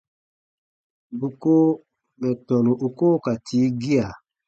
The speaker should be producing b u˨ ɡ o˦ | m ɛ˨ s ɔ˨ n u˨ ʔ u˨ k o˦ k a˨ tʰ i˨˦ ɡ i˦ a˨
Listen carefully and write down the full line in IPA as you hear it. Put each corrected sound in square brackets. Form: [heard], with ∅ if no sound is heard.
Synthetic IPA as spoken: b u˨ [k] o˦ | m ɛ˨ [t] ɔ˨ n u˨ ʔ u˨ k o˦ k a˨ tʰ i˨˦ ɡ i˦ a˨